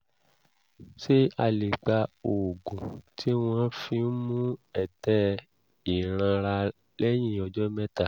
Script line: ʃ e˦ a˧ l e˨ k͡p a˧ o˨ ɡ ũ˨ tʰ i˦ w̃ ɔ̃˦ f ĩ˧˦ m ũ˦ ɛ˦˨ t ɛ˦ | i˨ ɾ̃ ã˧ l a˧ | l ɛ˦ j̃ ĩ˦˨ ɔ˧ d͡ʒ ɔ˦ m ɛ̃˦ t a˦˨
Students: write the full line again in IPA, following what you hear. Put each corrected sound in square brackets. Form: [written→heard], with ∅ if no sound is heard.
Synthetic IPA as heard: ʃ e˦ a˧ l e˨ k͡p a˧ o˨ ɡ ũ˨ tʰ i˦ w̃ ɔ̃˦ f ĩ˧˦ m ũ˦ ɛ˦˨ t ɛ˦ | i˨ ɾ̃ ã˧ [l→ɾ] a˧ | l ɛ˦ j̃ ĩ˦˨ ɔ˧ d͡ʒ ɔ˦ m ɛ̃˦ t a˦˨